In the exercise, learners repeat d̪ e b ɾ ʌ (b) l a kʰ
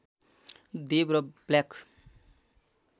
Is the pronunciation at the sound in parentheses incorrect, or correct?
correct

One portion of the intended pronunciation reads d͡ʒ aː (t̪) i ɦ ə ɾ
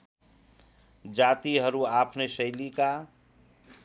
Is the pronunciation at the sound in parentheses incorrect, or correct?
correct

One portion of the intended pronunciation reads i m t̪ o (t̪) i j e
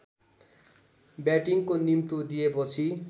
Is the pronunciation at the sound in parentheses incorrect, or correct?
incorrect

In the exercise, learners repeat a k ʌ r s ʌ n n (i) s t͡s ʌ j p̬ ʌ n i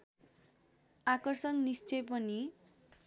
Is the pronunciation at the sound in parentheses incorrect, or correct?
correct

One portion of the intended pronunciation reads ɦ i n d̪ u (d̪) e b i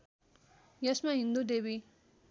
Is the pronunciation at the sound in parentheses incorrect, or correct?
correct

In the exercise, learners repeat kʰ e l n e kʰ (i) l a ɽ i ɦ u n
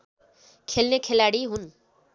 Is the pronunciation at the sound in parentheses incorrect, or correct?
incorrect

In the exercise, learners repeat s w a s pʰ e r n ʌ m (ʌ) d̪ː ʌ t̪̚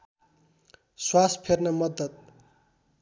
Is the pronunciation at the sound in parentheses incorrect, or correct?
correct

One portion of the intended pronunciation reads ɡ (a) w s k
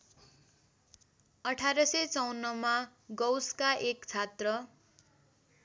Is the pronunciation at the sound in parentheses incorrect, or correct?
incorrect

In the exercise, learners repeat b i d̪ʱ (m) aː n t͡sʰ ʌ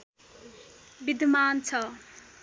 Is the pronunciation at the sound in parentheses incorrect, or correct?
correct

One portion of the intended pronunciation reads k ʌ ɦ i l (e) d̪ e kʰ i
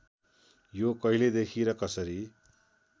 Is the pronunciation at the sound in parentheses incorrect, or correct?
correct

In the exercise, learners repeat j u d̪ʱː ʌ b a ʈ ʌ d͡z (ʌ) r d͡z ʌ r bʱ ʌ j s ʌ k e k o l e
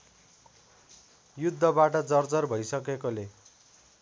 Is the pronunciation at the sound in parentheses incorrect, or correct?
correct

